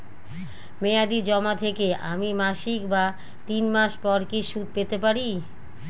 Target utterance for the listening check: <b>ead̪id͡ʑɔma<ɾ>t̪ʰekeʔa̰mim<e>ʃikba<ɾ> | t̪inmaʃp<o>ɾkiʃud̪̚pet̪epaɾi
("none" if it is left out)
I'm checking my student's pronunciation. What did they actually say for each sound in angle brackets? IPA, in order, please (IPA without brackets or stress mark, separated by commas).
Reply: m, none, a, none, ɔ